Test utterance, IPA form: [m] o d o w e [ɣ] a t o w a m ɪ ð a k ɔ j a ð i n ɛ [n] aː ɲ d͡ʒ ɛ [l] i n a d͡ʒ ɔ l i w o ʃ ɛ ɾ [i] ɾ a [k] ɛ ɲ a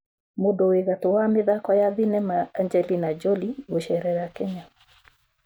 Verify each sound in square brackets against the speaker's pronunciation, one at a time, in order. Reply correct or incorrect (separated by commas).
correct, correct, incorrect, correct, incorrect, correct